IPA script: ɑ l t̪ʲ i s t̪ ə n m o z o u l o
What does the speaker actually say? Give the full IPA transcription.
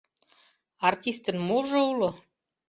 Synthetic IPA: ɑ r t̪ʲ i s t̪ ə n m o ʒ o u l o